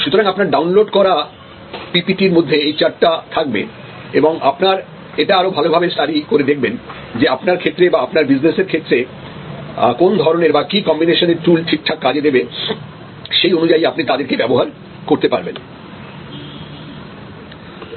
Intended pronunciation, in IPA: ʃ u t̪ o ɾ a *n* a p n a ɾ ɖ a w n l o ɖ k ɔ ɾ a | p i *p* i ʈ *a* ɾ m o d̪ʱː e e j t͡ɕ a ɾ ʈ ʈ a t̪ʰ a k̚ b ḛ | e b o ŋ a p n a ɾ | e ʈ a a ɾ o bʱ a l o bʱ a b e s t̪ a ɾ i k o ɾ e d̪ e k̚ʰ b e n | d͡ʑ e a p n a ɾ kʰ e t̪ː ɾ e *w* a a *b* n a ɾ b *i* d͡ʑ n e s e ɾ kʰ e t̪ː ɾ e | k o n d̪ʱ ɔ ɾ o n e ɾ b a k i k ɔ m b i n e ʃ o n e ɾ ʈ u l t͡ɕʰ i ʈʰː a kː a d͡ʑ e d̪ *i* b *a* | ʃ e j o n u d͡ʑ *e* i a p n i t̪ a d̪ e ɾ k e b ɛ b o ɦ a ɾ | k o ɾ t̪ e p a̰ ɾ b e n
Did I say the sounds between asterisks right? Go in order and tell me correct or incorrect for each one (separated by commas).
incorrect, correct, incorrect, incorrect, incorrect, correct, incorrect, incorrect, incorrect